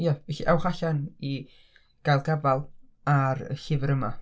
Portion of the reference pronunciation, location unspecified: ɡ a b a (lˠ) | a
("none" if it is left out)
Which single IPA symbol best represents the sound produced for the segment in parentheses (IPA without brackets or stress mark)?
lˠ